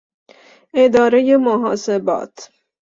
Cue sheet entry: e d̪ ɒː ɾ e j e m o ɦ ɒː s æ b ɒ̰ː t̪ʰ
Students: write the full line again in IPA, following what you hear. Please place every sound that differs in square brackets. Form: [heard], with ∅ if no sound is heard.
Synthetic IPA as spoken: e d̪ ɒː ɾ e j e m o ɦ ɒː s [e] b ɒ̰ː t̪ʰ